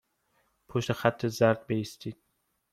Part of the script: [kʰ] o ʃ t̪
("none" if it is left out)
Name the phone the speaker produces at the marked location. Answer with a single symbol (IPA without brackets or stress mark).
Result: pʰ